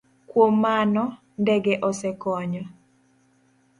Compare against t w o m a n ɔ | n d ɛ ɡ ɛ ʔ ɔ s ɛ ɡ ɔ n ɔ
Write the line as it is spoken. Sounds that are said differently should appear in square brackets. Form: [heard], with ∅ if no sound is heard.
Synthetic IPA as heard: [k] w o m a n ɔ | n d ɛ ɡ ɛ ʔ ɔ s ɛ [k] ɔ [ɲ] ɔ